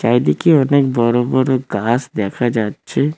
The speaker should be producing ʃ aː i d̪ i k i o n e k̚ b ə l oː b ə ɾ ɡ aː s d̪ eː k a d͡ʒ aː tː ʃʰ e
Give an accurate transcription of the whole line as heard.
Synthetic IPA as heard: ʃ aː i d̪ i k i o n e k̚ b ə ɾ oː b ə ɾ ɡ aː s d̪ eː kʰ a d͡ʒ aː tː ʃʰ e